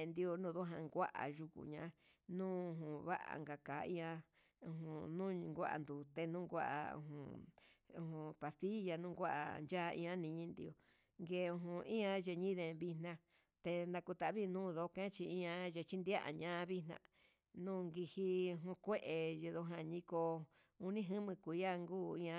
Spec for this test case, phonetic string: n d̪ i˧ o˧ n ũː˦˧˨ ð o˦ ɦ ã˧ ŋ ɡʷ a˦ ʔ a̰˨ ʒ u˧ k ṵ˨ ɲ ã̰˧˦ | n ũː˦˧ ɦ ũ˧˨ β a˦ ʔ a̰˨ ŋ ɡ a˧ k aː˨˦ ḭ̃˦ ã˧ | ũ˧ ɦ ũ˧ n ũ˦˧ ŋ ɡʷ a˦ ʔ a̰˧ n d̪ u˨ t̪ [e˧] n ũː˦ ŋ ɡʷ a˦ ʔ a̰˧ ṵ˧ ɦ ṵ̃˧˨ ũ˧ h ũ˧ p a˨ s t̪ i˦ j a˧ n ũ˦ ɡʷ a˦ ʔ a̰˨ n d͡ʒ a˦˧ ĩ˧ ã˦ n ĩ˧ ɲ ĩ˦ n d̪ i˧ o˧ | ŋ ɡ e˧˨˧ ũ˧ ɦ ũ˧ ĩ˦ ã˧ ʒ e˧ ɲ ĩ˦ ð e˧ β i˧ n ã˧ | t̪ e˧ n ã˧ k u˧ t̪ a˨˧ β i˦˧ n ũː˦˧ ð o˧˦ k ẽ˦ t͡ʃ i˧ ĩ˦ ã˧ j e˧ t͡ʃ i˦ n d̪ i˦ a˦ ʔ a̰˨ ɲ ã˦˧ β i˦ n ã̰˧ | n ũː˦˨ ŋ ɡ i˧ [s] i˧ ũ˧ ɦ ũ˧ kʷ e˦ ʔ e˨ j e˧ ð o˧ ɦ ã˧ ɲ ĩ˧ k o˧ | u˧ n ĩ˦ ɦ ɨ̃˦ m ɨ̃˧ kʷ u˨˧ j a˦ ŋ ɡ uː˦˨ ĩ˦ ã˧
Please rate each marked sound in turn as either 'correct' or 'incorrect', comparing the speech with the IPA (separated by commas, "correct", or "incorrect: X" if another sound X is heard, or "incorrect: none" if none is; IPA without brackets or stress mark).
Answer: correct, incorrect: h